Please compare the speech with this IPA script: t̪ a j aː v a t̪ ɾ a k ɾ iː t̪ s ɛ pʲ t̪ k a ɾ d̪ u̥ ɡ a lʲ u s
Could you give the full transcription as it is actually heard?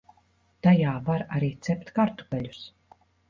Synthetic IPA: t̪ a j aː v a ɾ a ɾ iː t̪ s ɛ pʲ t̪ k a ɾ t̪ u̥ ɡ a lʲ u s